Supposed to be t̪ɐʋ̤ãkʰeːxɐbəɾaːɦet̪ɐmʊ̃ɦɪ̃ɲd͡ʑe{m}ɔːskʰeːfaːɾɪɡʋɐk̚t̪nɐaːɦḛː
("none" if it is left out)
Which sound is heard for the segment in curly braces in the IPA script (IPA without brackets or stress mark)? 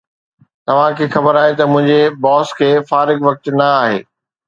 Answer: b